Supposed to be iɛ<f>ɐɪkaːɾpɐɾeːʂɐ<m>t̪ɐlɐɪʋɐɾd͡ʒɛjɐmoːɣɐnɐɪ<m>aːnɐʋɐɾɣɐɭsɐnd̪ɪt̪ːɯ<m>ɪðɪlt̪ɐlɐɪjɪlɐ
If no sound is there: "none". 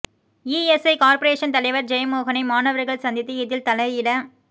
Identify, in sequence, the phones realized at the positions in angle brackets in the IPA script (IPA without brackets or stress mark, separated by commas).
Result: s, n, m, none